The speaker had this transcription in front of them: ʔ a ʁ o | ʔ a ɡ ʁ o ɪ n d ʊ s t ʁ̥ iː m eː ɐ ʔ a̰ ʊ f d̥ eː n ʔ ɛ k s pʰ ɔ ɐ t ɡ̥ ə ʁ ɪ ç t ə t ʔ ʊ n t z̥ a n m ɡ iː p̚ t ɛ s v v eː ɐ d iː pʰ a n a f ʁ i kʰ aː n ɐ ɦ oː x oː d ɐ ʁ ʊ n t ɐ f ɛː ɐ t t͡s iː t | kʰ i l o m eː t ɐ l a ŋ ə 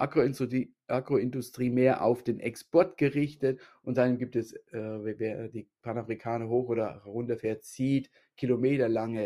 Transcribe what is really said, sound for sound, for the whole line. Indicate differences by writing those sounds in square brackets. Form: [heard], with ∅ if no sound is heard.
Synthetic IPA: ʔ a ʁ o | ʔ a ɡ ʁ o ɪ n d ʊ s t ʁ̥ iː m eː ɐ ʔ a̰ ʊ f d̥ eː n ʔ ɛ k s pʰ ɔ ɐ t ɡ̥ ə ʁ ɪ ç t ə t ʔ ʊ n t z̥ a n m ɡ iː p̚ t ɛ s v v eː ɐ d iː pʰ a n a f ʁ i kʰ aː n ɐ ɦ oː x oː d ɐ ʁ ʊ n t ɐ f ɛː ɐ t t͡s iː t | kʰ i l o m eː t ɐ l a ŋ ə